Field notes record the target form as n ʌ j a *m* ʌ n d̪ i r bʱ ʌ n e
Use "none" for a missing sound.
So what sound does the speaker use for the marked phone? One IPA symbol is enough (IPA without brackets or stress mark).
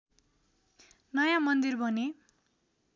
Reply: m